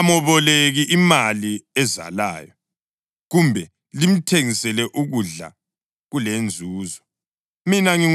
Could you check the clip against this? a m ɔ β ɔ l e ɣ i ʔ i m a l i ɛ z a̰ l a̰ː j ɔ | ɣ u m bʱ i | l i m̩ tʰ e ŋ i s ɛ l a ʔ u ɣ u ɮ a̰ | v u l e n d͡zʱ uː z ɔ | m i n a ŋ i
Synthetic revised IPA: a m ɔ β ɔ l e ɣ i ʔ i m a l i ɛ z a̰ l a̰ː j ɔ | ɣ u m bʱ ɛ | l i m̩ tʰ e ŋ i s ɛ l ɛ ʔ u ɣ u ɮ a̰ | ɣ u l e n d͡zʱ uː z ɔ | m i n a ŋ i